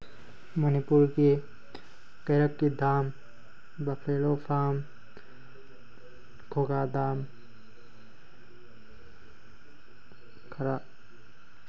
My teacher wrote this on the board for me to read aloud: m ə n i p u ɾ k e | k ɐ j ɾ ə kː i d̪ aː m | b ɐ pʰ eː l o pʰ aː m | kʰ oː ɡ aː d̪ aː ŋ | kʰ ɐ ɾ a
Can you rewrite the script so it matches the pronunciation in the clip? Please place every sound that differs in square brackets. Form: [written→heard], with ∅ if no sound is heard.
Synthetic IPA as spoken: m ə n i p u ɾ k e | k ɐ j ɾ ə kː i d̪ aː m | b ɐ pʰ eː l o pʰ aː m | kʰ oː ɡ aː d̪ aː [ŋ→m] | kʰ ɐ ɾ a